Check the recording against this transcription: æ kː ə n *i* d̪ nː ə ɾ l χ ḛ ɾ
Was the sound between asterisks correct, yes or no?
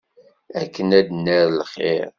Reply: no